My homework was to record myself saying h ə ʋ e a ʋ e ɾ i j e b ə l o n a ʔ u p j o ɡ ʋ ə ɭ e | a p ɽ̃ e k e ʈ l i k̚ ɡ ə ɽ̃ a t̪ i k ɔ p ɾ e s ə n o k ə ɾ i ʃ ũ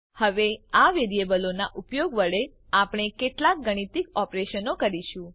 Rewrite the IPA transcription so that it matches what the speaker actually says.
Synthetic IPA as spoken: h ə ʋ e a ʋ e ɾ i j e b ə l o n a ʔ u p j o ɡ ʋ ə ɭ e | a p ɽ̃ e k e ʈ l a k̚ ɡ ə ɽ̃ i t̪ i k ɔ p ɾ e ʃ ə n o k ə ɾ i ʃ ũ